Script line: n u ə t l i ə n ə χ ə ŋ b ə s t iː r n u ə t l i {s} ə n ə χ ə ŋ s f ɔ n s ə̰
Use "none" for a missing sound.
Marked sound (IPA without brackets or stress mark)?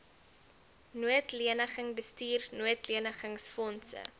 none